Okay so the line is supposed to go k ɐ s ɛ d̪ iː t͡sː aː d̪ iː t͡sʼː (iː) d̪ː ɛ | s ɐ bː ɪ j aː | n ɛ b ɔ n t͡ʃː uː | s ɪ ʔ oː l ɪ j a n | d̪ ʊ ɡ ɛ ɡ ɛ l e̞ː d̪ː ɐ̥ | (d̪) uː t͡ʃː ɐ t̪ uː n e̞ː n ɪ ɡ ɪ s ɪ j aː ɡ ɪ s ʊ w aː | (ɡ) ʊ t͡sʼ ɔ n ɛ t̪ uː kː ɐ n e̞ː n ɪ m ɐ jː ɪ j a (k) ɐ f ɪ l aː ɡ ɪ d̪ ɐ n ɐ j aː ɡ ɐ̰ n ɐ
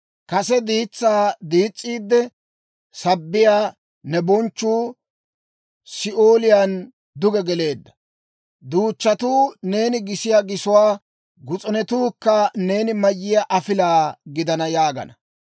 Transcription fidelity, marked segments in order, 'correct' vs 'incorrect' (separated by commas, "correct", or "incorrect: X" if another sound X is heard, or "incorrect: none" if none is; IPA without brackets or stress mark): correct, correct, correct, incorrect: ʔ